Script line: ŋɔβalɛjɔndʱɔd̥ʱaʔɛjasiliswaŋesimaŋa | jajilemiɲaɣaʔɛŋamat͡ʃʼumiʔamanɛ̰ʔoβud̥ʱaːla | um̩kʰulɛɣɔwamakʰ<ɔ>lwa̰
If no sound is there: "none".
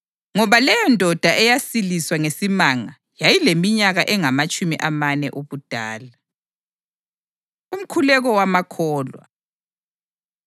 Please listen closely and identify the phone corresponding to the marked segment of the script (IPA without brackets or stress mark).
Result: ɔː